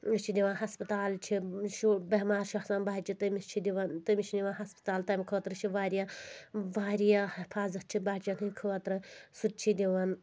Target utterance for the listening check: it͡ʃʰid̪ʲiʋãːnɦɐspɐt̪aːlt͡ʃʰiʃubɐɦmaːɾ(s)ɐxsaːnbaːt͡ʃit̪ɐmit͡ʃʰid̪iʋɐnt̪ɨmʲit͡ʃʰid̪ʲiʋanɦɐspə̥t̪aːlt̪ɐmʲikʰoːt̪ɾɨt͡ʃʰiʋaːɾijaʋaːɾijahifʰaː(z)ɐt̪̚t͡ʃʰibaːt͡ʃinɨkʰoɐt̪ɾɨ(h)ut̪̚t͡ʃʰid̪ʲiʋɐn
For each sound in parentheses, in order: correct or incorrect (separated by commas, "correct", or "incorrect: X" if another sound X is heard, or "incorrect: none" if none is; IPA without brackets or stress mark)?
incorrect: ʃ, correct, incorrect: s